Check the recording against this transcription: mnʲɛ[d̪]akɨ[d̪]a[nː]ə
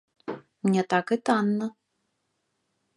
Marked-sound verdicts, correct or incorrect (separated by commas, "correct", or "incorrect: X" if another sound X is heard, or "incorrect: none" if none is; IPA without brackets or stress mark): incorrect: t̪, incorrect: t̪, correct